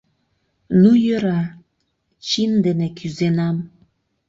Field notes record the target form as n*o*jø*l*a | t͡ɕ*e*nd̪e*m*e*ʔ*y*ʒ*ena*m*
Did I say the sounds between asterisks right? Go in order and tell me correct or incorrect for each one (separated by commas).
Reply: incorrect, incorrect, incorrect, incorrect, incorrect, incorrect, correct